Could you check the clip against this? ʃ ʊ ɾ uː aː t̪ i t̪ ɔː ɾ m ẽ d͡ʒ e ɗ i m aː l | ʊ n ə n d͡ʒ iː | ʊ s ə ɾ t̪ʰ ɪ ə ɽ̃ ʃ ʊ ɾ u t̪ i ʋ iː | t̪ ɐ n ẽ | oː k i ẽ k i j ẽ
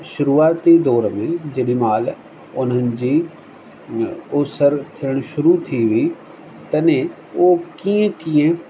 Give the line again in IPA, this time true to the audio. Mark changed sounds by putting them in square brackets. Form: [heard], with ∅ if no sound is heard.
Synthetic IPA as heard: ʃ ʊ ɾ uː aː t̪ i [d̪] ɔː ɾ m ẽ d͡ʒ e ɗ i m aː l | ʊ n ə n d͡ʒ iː | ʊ s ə ɾ t̪ʰ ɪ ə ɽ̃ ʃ ʊ ɾ u [t̪ʰ] i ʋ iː | t̪ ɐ n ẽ | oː k i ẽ k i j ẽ